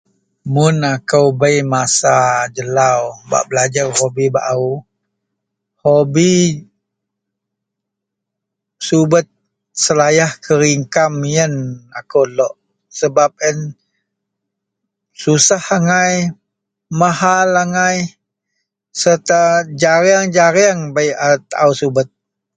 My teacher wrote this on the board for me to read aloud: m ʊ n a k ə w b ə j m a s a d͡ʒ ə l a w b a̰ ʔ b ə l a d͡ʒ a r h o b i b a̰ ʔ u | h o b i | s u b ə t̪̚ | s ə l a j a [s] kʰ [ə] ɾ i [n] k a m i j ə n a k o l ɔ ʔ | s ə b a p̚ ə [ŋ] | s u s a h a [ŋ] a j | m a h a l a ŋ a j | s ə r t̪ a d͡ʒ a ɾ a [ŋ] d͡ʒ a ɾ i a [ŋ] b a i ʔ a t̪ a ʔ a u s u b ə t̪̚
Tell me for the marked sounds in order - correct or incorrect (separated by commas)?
incorrect, correct, incorrect, incorrect, correct, correct, correct